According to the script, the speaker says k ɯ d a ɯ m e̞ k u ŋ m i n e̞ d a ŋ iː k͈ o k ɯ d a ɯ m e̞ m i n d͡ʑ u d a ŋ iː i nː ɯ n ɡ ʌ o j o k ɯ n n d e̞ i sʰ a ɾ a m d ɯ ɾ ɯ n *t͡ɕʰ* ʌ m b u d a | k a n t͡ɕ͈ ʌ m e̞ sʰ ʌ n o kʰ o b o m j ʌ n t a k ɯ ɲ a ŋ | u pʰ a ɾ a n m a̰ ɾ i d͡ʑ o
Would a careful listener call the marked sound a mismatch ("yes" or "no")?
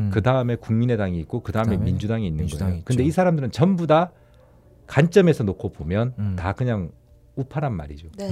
yes